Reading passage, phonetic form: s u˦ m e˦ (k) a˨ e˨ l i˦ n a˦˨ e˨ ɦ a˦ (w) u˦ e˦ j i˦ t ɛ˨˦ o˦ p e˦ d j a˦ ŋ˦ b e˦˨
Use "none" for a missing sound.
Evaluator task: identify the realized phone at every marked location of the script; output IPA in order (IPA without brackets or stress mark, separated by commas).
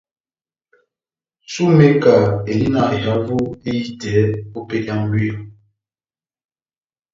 k, v